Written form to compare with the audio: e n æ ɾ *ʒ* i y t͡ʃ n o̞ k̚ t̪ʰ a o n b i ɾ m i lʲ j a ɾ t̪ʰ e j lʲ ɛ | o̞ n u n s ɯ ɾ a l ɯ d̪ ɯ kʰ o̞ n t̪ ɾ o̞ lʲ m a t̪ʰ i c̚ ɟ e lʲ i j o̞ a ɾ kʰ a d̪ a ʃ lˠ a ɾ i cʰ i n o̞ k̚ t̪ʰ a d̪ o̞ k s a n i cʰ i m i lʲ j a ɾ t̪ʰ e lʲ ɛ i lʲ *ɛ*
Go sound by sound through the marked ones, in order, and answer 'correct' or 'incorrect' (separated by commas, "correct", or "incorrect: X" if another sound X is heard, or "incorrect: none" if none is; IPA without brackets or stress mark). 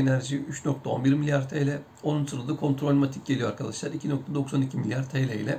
correct, correct